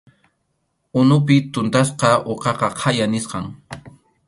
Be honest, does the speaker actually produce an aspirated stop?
yes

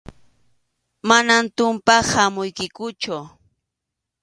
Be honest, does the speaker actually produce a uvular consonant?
no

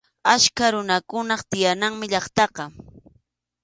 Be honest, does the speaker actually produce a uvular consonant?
yes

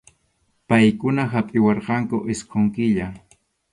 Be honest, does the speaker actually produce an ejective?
yes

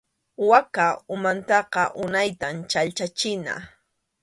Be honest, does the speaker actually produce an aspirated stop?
no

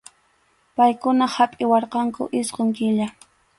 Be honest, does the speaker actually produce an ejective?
yes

